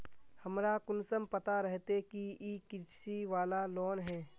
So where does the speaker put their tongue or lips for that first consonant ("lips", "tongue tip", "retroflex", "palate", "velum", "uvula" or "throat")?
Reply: throat